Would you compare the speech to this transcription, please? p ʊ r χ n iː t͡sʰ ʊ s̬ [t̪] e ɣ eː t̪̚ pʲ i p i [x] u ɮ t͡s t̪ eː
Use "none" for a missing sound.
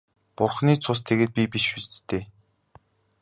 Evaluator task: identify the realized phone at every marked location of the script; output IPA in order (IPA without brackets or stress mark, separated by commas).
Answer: t̪ʰ, ʃ